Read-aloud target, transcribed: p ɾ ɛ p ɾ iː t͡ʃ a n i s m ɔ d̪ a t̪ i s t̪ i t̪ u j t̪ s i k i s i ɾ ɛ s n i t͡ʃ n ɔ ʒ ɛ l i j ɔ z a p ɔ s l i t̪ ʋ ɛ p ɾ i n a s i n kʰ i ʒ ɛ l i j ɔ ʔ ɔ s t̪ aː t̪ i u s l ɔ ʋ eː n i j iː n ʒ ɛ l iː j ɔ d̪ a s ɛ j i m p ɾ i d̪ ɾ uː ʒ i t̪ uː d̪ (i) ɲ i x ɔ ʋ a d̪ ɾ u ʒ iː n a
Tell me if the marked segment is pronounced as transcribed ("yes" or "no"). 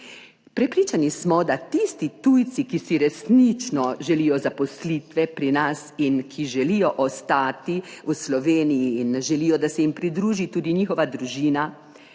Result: yes